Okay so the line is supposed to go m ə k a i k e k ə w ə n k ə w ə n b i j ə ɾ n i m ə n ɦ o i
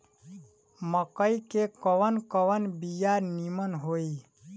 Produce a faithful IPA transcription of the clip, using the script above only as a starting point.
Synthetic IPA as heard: m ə k ə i k e k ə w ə n k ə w ə n b i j a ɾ n i m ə n ɦ o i